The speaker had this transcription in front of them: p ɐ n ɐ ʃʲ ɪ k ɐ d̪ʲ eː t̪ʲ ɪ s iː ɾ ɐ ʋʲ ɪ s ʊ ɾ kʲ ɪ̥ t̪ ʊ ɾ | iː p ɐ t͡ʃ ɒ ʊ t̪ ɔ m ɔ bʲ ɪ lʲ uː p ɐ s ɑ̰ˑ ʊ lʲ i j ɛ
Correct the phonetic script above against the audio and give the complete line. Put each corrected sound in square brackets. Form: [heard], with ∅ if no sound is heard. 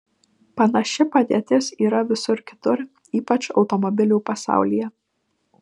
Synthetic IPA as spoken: p ɐ n ɐ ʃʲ ɪ [p] ɐ d̪ʲ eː t̪ʲ ɪ s iː ɾ ɐ ʋʲ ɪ s ʊ ɾ kʲ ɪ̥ t̪ ʊ ɾ | iː p ɐ t͡ʃ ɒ ʊ t̪ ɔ m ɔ bʲ ɪ lʲ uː p ɐ s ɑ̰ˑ ʊ lʲ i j ɛ

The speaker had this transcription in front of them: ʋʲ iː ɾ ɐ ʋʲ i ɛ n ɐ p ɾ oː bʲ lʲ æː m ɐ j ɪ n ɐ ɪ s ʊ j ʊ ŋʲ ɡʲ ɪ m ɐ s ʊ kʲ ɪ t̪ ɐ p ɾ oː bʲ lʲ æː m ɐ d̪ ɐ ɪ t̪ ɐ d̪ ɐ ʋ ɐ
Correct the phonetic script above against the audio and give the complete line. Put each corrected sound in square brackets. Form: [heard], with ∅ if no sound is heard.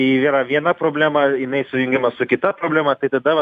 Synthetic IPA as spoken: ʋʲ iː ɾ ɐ ʋʲ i ɛ n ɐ p ɾ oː bʲ lʲ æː m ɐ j ɪ n ɐ ɪ s ʊ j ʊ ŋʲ ɡʲ ɪ m ɐ s ʊ kʲ ɪ t̪ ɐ p ɾ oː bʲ lʲ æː m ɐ [t̪] ɐ ɪ t̪ ɐ d̪ ɐ ʋ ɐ

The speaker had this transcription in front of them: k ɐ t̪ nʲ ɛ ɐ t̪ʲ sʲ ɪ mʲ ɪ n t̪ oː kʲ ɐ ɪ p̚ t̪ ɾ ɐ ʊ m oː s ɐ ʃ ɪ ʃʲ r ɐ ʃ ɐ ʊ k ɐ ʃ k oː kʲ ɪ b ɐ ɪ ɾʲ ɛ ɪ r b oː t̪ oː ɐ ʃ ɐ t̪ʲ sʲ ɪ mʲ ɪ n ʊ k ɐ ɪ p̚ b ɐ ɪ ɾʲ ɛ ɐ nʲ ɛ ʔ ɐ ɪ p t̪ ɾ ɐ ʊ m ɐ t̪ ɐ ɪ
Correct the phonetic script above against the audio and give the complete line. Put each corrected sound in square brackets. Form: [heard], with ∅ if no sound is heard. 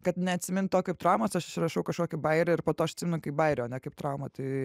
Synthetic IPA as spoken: k ɐ t̪ nʲ ɛ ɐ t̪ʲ sʲ ɪ mʲ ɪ n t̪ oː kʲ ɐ ɪ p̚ t̪ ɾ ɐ ʊ m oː s ɐ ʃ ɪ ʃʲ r ɐ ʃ ɐ ʊ k ɐ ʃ k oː kʲ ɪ b ɐ ɪ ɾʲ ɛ ɪ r [p] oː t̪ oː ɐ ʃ ɐ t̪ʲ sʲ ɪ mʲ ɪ n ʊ k ɐ ɪ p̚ b ɐ ɪ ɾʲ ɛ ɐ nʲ ɛ [k] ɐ ɪ p t̪ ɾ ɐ ʊ m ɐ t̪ ɐ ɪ

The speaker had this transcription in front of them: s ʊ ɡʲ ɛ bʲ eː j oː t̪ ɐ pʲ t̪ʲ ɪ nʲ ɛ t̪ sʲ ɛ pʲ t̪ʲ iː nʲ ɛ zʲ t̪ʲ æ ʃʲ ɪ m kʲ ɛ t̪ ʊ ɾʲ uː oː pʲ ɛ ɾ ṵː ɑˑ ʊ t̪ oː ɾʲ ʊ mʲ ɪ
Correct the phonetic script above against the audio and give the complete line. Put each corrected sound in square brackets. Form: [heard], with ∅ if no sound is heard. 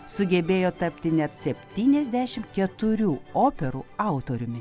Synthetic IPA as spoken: s ʊ ɡʲ ɛ bʲ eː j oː t̪ ɐ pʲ t̪ʲ ɪ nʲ ɛ t̪ sʲ ɛ pʲ t̪ʲ iː nʲ ɛ zʲ [d̪ʲ] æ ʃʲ ɪ m kʲ ɛ t̪ ʊ ɾʲ uː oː pʲ ɛ ɾ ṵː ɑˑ ʊ t̪ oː ɾʲ ʊ mʲ ɪ

